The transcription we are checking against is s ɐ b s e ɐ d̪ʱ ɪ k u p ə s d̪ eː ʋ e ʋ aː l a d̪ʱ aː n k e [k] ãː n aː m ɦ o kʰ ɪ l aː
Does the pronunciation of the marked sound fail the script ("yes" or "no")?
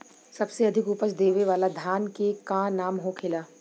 no